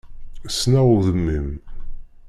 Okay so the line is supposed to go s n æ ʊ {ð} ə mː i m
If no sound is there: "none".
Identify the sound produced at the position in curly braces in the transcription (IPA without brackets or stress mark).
ð